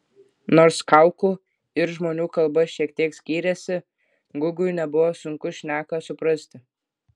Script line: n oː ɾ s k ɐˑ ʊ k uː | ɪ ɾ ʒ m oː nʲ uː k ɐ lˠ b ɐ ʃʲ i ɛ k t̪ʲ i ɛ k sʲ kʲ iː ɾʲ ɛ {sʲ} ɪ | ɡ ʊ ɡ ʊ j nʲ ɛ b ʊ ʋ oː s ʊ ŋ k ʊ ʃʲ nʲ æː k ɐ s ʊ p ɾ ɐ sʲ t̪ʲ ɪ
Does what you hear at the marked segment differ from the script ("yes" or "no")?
no